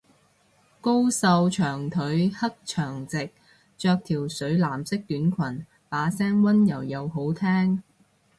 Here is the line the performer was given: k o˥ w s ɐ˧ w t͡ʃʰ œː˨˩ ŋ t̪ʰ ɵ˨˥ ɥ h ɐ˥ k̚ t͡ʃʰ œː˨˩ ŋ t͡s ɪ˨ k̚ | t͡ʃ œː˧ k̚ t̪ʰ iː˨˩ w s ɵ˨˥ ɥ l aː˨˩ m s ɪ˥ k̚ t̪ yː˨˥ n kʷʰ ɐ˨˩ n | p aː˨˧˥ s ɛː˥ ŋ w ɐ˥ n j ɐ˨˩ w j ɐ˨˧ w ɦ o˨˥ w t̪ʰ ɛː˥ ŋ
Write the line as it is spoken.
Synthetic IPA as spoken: k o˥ w s ɐ˧ w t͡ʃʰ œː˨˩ ŋ t̪ʰ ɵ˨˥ ɥ h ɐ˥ k̚ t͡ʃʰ œː˨˩ ŋ t͡s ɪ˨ k̚ | t͡ʃ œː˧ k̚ t̪ʰ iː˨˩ w s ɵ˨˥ ɥ l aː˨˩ m s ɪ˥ k̚ t̪ yː˨˥ n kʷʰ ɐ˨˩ n | p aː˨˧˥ s ɛː˥ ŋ w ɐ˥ n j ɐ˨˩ w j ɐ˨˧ w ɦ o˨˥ w t̪ʰ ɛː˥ ŋ